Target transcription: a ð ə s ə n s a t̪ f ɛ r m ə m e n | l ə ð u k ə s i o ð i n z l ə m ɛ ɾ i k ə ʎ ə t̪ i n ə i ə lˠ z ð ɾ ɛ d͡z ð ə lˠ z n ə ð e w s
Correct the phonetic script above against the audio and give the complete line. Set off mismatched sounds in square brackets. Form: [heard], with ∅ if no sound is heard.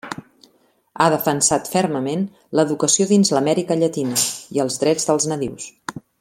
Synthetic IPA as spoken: a ð ə [f] ə n s a t̪ f ɛ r m ə m e n | l ə ð u k ə s i o ð i n z l ə m ɛ ɾ i k ə ʎ ə t̪ i n ə i ə lˠ z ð ɾ ɛ d͡z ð ə lˠ z n ə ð [i] w s